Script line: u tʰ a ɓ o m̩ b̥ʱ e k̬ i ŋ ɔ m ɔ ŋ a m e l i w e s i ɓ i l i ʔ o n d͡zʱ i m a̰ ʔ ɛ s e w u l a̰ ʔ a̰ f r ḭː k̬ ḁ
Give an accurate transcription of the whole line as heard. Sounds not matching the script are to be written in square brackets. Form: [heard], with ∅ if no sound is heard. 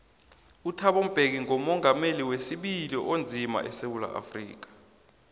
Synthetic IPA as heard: u tʰ a ɓ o m̩ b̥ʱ e k̬ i ŋ ɔ m ɔ ŋ a m e l i w e s i ɓ i l i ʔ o n d͡zʱ i m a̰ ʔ ɛ s e w u l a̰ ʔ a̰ f r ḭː k̬ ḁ